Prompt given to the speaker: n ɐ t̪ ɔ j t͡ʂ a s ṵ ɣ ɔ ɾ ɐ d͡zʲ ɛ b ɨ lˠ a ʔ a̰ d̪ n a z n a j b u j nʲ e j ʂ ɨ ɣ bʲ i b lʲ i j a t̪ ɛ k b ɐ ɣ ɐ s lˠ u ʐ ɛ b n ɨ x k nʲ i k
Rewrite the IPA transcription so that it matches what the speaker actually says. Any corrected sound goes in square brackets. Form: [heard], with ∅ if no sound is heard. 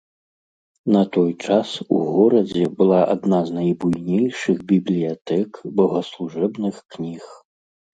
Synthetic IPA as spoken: n ɐ t̪ ɔ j t͡ʂ a s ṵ ɣ ɔ ɾ ɐ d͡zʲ ɛ b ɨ lˠ a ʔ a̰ d̪ n a z n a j b u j nʲ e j ʂ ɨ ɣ bʲ i b lʲ i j a t̪ ɛ k b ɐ ɣ ɐ s lˠ u ʐ ɛ b n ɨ x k nʲ i [x]